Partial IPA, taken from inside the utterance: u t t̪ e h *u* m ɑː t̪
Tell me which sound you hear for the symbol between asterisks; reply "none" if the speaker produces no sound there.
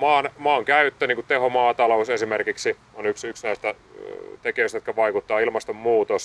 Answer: o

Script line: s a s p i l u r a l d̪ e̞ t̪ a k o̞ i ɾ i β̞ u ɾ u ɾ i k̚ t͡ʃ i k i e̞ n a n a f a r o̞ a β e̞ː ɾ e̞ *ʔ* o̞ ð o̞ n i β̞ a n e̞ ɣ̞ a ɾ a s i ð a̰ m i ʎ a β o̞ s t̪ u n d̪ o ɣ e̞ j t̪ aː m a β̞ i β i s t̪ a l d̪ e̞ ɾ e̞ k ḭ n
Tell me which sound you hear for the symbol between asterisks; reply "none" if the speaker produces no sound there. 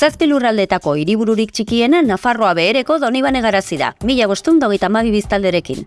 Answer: k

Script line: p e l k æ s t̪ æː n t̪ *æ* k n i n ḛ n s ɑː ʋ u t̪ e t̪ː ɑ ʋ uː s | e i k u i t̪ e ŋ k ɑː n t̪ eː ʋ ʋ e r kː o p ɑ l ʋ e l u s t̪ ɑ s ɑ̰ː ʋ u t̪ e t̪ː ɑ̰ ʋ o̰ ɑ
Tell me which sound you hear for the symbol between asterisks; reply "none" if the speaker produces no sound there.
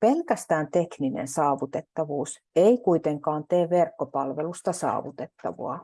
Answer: e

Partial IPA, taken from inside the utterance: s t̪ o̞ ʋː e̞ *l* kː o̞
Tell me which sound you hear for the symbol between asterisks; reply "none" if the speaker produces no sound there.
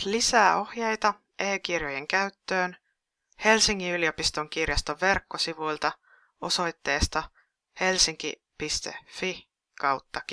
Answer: r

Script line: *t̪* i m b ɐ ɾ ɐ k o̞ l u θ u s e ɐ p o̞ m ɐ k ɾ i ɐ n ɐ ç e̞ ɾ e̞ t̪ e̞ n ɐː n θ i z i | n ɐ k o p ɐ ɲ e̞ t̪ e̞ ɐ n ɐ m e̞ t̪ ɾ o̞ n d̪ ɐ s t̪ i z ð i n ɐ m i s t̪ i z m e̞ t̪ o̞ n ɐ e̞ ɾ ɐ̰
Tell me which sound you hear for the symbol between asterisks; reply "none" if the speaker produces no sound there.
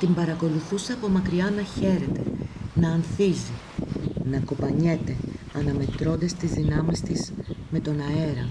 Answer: t̪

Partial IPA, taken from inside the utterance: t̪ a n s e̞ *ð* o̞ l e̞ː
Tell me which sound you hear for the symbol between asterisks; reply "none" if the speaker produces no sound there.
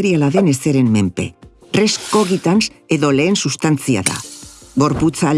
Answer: ð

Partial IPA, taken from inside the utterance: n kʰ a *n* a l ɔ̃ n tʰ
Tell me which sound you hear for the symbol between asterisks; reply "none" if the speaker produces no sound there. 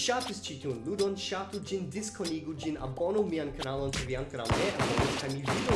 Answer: n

